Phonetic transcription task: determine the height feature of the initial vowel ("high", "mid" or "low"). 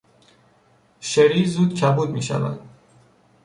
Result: mid